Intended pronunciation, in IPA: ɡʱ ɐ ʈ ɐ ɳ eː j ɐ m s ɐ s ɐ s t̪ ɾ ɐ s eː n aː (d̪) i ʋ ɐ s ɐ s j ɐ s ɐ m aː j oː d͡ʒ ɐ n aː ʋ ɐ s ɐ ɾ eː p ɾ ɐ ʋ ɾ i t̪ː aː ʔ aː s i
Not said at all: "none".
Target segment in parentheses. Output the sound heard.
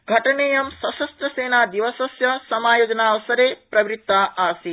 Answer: d̪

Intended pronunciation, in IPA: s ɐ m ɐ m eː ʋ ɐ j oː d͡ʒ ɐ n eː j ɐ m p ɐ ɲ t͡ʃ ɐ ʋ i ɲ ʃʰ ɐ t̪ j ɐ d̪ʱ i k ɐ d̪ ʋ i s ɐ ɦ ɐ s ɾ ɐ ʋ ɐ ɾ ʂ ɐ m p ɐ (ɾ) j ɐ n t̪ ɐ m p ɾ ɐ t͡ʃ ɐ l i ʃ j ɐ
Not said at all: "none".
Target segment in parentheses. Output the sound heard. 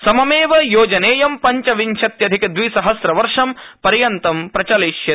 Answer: ɾ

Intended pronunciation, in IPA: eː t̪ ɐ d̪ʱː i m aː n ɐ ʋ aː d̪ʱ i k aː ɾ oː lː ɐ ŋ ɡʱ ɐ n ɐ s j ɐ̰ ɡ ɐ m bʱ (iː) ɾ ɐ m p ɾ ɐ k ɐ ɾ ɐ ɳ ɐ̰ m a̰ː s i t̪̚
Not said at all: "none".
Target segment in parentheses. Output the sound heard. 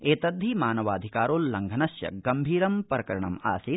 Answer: iː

